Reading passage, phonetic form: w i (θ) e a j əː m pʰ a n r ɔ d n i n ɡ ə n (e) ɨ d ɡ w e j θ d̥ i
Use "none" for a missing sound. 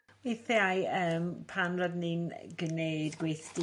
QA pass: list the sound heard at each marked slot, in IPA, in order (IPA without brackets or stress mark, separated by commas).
θ, e